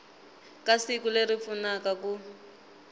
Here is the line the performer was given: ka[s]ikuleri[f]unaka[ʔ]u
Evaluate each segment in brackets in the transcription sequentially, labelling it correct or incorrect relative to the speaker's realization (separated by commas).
correct, correct, incorrect